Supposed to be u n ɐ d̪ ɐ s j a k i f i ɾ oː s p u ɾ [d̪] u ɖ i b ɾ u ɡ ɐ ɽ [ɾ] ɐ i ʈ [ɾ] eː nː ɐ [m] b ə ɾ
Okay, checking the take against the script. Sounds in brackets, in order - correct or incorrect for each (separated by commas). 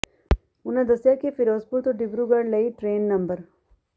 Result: incorrect, incorrect, correct, correct